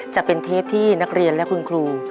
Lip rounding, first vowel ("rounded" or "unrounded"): unrounded